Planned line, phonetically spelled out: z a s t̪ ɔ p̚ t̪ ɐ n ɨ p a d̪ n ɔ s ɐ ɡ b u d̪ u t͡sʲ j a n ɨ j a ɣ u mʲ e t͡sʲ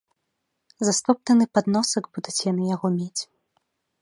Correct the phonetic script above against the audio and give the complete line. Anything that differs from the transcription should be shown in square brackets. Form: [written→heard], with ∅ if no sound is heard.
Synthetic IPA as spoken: z a s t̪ ɔ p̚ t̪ ɐ n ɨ p a d̪ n ɔ s ɐ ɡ b u d̪ u t͡sʲ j a n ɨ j a ɣ [u→ɔ] mʲ e t͡sʲ